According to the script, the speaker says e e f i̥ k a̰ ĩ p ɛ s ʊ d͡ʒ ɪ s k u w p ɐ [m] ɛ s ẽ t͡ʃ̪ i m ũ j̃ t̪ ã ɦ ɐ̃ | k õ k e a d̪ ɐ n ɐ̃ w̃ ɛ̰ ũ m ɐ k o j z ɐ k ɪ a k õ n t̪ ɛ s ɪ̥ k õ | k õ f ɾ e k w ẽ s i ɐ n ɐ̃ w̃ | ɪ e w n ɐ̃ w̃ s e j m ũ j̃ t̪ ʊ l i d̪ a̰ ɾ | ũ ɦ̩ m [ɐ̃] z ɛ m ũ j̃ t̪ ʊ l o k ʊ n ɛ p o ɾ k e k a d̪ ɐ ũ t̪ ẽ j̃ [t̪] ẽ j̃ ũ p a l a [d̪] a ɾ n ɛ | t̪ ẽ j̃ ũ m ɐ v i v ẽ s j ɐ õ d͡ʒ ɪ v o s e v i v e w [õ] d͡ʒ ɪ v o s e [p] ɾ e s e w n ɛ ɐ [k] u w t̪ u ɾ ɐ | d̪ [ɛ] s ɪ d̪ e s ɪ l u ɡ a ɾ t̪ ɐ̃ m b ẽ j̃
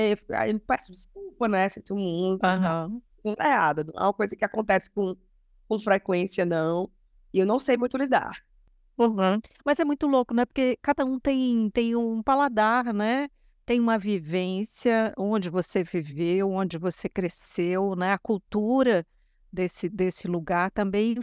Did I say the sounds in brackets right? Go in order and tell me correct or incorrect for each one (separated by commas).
incorrect, incorrect, correct, correct, correct, incorrect, correct, incorrect